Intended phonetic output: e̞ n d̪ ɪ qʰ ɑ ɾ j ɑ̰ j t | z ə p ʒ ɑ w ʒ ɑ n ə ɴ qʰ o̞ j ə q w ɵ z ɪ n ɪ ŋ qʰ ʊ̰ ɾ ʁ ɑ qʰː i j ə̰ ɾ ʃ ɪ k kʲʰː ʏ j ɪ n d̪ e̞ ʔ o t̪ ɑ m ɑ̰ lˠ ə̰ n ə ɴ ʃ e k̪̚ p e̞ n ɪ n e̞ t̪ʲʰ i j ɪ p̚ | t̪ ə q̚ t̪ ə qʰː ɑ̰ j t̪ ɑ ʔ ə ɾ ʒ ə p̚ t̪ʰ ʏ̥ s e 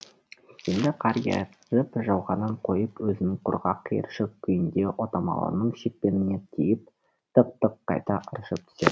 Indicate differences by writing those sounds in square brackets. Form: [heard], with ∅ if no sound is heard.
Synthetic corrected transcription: e̞ n d̪ ɪ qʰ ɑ ɾ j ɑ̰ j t | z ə p ʒ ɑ w [ʁ] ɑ n ə ɴ qʰ o̞ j ə [p] w ɵ z ɪ n ɪ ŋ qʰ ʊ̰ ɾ ʁ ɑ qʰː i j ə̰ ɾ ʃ ɪ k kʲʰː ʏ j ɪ n d̪ e̞ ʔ o t̪ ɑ m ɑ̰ lˠ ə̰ n ə ɴ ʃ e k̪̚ p e̞ n ɪ n e̞ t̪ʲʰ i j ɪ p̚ | t̪ ə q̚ t̪ ə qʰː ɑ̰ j t̪ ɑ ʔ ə ɾ [ʃ] ə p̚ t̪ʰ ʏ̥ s e